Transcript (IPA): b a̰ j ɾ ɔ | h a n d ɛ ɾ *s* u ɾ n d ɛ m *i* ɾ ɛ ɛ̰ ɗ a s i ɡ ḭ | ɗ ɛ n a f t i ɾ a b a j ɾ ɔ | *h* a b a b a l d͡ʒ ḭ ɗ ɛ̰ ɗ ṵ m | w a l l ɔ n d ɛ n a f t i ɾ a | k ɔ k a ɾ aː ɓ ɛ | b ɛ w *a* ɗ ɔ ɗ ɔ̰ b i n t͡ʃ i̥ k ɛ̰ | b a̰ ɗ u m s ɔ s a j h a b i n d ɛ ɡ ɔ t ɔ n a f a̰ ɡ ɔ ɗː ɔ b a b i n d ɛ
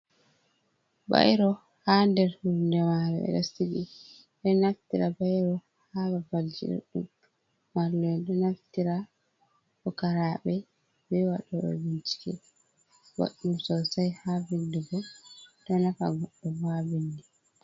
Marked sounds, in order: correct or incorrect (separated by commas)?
incorrect, incorrect, correct, correct